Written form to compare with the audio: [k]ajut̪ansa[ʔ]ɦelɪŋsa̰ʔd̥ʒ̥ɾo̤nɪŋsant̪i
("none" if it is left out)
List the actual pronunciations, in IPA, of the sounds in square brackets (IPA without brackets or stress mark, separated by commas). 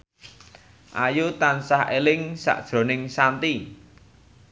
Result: ʔ, none